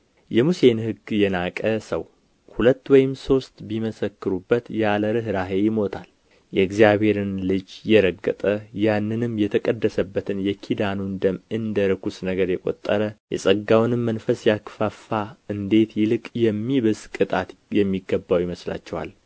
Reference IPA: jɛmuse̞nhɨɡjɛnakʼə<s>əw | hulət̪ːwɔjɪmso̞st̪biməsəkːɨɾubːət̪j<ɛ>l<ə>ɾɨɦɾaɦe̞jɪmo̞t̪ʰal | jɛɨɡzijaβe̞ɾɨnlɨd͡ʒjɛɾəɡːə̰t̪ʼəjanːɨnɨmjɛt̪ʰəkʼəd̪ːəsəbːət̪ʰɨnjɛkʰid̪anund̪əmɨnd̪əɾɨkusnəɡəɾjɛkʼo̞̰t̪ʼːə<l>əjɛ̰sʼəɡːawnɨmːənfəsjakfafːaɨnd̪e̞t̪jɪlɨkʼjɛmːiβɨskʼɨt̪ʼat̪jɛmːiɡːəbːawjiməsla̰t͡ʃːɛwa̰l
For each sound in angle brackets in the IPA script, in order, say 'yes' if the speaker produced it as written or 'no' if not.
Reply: yes, no, yes, no

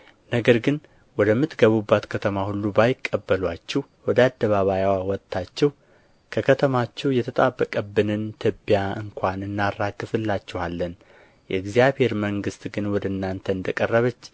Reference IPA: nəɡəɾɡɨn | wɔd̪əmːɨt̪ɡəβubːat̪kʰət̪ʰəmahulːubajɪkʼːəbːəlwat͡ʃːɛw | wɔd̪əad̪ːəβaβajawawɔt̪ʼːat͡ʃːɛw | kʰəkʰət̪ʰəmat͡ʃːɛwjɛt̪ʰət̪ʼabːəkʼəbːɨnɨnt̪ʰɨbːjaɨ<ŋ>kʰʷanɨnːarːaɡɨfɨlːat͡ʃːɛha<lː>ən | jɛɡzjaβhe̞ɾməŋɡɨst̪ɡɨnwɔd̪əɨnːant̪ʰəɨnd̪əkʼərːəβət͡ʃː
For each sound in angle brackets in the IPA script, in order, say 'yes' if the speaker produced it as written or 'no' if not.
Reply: yes, yes

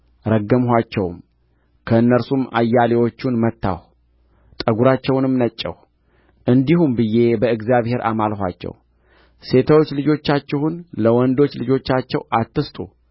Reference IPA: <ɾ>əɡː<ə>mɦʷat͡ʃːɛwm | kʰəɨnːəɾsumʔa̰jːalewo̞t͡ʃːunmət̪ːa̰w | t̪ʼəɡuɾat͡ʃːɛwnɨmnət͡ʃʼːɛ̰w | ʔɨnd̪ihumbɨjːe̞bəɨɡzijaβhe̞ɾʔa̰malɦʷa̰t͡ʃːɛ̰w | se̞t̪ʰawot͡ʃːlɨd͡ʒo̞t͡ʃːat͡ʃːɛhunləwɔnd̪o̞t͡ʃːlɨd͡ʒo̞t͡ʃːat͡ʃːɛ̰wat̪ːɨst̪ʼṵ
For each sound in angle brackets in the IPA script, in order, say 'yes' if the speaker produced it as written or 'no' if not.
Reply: yes, yes

